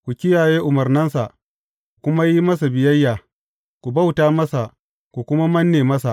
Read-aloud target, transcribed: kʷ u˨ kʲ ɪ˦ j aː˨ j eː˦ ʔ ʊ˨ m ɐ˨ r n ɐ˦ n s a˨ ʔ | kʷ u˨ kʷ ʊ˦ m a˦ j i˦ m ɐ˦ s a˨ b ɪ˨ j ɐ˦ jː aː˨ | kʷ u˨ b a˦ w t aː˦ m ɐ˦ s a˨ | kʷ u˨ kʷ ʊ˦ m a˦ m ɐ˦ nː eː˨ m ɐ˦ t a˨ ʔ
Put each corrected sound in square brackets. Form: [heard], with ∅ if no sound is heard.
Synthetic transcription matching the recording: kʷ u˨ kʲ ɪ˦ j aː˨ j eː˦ ʔ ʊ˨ m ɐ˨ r n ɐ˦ n s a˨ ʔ | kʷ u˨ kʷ ʊ˦ m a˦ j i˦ m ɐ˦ s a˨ b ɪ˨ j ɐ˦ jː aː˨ | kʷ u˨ b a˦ w t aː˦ m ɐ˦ s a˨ | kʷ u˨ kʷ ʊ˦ m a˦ m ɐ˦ nː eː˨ m ɐ˦ [s] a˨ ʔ